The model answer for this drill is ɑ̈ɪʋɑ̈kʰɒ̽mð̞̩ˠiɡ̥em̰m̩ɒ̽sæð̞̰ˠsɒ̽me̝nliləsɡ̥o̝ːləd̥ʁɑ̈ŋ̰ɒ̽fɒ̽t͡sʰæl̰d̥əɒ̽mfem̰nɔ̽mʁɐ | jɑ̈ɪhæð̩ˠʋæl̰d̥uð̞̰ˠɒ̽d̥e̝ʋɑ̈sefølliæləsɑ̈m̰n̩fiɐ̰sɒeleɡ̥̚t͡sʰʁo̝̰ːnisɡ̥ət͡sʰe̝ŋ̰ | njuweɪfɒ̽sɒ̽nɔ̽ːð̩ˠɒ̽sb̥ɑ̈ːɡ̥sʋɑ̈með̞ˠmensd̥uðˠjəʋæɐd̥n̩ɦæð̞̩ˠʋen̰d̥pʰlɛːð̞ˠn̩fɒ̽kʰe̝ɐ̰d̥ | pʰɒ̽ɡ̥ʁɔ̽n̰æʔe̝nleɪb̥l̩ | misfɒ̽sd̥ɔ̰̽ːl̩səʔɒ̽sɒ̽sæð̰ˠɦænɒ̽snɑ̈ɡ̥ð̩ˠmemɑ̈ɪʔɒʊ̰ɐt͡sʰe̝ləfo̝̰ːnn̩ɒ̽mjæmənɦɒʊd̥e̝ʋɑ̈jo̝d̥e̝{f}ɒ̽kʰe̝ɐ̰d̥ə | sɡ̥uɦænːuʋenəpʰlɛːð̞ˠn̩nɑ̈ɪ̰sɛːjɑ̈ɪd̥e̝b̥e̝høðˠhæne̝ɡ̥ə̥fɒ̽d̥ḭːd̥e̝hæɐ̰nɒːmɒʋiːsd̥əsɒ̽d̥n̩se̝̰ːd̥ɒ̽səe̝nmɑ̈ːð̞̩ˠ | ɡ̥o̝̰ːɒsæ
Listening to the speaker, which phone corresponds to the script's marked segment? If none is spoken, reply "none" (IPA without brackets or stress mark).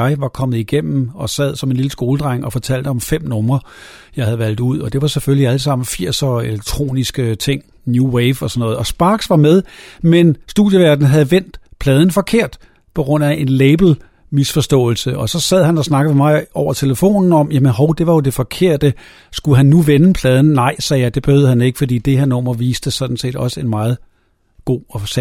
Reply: f